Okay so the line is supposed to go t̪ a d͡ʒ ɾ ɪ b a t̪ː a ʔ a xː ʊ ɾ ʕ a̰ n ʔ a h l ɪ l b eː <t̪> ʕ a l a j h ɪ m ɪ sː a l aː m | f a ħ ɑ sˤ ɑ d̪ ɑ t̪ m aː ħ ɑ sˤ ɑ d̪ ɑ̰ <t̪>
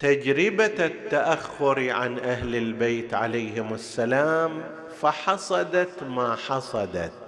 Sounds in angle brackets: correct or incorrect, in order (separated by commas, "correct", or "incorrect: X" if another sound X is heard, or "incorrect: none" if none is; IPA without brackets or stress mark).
correct, correct